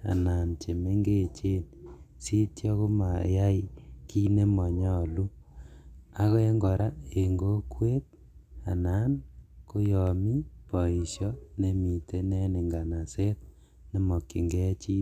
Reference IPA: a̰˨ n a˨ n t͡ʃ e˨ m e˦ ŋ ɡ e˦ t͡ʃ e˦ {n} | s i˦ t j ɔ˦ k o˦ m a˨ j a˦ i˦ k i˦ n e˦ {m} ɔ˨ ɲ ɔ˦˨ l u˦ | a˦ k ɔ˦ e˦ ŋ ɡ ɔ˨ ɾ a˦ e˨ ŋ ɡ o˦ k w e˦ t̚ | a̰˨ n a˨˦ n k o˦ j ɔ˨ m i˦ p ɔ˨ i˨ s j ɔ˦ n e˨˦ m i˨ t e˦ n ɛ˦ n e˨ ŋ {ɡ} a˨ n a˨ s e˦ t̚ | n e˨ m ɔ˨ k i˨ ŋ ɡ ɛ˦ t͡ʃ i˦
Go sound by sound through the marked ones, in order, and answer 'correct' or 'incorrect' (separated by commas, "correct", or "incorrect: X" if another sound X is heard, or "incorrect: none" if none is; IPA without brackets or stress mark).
correct, correct, correct